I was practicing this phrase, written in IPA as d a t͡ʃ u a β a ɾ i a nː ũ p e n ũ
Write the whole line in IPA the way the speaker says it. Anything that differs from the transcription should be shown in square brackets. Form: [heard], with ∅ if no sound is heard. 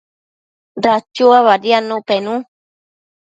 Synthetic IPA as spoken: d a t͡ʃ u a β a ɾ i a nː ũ p e n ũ